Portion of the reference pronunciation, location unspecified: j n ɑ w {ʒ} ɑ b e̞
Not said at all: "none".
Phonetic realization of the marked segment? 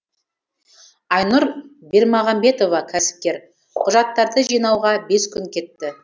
ʁ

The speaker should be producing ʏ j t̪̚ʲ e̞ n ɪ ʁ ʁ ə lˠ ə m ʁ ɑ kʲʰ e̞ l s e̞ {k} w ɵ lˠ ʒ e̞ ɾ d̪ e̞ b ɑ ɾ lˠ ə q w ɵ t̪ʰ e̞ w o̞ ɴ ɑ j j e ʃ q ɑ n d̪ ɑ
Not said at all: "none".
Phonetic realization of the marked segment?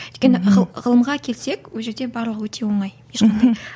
k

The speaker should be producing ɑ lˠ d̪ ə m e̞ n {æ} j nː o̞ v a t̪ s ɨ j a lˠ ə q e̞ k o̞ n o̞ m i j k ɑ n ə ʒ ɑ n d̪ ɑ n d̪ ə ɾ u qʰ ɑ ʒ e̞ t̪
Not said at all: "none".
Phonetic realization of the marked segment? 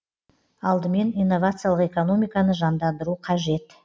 i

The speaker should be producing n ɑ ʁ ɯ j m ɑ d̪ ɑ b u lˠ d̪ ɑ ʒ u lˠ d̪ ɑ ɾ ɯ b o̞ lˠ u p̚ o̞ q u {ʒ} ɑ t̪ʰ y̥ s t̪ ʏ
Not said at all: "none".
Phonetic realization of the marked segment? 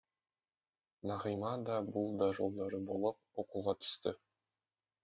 ʁ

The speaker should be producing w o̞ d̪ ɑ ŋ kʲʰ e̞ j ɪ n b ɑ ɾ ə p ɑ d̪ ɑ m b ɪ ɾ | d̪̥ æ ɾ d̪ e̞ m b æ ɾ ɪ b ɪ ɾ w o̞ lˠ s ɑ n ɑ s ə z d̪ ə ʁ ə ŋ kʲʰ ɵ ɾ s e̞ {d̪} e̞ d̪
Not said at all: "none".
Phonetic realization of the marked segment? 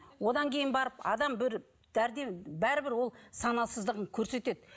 t̪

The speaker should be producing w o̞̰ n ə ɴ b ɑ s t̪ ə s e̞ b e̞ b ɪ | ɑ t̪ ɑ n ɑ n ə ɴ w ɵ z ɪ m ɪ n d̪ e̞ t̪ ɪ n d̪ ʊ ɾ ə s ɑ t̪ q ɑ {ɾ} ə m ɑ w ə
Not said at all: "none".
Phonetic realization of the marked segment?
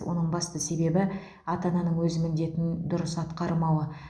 ɾ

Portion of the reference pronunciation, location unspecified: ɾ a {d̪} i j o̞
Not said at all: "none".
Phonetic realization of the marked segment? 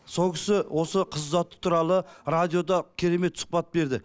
d̪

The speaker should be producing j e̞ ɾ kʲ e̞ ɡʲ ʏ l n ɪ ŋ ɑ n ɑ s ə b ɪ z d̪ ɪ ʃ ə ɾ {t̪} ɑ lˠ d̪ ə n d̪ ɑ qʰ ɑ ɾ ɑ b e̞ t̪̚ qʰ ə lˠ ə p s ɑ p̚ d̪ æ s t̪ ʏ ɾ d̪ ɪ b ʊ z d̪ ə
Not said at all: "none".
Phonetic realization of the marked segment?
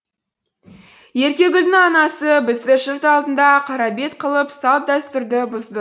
t̪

